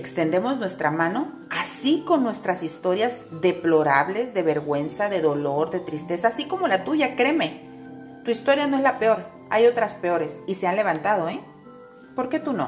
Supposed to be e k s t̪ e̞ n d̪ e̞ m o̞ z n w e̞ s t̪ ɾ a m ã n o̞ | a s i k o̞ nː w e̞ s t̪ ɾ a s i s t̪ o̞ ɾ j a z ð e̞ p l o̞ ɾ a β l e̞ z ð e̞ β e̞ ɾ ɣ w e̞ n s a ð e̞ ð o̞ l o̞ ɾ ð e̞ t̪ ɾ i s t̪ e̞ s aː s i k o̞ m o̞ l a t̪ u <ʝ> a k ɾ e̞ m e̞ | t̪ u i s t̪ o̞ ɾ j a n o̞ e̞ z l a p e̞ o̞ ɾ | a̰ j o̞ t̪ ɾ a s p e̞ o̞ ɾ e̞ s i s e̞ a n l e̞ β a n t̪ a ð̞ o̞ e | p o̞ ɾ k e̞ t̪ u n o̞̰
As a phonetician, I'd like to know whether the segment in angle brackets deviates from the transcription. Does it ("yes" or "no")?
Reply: no